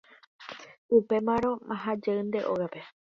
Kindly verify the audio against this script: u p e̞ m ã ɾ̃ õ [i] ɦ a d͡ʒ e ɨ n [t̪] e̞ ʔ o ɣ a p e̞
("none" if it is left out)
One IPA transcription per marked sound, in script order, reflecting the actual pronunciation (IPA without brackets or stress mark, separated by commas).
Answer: a, d̪